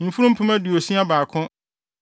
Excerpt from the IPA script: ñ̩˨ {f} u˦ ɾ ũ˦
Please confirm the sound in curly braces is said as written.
yes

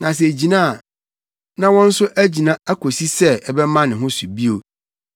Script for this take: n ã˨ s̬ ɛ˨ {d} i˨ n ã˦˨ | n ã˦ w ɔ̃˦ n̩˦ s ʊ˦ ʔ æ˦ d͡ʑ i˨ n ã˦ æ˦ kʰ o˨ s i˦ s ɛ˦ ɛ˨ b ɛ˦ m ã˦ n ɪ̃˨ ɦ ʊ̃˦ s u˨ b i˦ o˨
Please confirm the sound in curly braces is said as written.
no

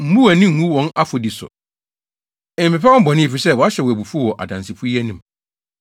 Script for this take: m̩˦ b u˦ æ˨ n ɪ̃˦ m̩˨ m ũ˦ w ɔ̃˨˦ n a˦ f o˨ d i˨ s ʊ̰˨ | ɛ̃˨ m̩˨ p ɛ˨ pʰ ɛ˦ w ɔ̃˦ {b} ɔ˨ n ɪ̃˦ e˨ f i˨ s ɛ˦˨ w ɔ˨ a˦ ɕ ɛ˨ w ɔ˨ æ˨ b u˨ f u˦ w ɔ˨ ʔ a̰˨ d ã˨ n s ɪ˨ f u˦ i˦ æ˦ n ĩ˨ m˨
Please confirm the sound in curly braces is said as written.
yes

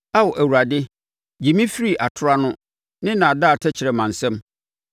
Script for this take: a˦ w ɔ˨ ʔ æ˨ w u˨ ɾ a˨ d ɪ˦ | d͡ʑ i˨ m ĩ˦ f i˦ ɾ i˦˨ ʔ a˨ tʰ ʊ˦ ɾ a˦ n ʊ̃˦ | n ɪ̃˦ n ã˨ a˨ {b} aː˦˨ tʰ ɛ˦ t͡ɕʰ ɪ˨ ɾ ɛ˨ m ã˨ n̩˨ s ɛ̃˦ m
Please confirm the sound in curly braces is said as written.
no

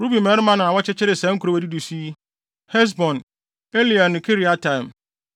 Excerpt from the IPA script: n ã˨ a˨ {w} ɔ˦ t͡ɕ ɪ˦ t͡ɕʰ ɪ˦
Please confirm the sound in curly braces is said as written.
yes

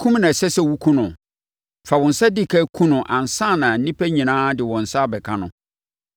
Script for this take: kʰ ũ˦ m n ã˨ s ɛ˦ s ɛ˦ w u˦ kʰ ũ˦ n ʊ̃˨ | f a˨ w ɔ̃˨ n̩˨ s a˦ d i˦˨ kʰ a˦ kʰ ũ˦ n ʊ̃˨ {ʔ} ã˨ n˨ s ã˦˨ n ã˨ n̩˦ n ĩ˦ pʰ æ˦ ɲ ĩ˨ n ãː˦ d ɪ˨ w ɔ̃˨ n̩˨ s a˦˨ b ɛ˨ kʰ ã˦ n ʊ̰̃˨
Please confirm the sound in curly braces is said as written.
yes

